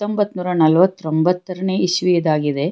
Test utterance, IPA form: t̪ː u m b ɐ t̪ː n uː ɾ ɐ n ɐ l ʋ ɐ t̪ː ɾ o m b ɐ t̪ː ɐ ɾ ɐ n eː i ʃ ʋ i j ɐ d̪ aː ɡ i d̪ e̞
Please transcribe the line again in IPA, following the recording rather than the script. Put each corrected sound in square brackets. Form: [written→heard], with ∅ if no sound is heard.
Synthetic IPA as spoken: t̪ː [u→o] m b ɐ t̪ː n uː ɾ ɐ n ɐ l ʋ ɐ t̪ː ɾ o m b ɐ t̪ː ɐ ɾ ɐ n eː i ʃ ʋ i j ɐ d̪ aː ɡ i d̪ e̞